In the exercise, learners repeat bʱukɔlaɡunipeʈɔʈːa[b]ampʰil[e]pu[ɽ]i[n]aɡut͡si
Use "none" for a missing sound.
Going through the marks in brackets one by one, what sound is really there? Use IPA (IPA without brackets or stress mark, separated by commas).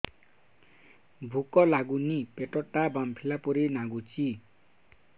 b, a, ɾ, n